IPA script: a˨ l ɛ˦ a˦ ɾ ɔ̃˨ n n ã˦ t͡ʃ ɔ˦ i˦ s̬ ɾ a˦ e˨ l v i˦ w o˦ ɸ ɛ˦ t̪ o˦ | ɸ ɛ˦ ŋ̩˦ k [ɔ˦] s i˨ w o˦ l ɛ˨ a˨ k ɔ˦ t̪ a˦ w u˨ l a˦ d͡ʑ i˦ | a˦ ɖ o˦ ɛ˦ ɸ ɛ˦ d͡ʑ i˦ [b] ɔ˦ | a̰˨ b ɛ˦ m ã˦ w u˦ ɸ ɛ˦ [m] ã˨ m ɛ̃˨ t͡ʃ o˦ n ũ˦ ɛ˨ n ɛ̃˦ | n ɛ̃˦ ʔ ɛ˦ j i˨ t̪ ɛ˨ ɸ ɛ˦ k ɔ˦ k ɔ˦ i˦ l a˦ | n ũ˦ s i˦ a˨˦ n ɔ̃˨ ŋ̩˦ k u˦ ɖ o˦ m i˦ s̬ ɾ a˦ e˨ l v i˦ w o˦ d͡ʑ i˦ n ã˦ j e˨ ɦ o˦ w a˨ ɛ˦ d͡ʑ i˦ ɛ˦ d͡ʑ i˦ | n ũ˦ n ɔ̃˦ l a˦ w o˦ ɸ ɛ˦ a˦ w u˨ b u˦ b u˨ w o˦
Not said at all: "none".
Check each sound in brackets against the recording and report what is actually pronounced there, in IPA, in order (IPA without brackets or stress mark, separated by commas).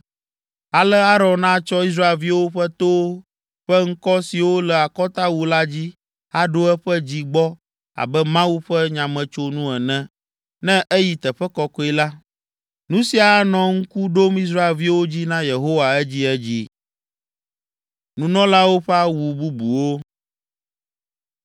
ɔ˦, ɡ͡b, ɲ